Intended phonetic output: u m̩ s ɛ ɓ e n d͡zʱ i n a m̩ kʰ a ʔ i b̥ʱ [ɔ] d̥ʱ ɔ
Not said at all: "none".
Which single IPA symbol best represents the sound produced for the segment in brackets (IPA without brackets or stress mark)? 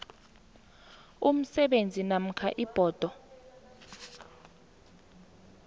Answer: ɔː